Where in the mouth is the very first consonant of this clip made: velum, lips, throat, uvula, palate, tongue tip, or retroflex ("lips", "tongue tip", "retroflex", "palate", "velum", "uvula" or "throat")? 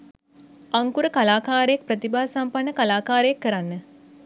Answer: velum